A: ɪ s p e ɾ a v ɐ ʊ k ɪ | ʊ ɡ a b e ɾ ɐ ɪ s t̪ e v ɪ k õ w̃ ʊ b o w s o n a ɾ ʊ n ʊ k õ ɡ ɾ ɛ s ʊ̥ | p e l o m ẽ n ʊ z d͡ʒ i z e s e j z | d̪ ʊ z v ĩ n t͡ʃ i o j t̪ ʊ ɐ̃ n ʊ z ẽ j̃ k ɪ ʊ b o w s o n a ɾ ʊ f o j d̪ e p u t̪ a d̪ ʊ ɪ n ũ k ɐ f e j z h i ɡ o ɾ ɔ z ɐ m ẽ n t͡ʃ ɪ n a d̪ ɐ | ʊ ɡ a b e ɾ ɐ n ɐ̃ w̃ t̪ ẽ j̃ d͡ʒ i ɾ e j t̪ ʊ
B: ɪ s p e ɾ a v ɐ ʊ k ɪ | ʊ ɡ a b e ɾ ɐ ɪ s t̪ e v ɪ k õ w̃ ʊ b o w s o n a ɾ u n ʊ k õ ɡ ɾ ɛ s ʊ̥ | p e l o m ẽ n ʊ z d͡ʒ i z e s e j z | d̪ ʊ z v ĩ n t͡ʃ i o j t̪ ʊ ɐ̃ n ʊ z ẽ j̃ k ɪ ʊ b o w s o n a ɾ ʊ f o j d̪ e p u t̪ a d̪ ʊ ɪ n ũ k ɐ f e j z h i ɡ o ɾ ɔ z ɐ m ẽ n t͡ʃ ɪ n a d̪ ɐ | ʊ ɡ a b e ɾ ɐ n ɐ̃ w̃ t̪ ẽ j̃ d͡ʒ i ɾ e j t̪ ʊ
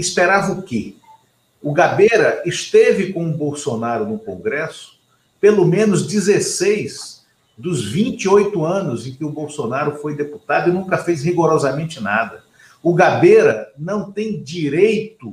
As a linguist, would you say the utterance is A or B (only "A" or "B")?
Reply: A